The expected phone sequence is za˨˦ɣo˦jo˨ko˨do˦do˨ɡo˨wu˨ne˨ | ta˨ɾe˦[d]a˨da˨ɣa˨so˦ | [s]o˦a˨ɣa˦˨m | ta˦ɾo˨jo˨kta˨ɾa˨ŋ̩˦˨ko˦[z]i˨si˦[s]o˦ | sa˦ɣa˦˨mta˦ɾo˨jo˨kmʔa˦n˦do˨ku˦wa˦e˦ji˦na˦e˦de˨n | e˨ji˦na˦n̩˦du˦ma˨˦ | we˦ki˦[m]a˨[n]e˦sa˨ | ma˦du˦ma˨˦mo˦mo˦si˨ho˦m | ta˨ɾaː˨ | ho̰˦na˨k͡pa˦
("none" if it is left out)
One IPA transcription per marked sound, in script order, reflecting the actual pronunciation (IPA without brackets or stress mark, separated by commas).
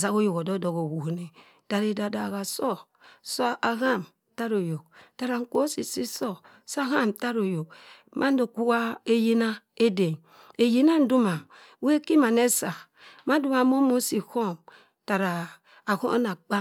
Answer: d, s, s, s, m, n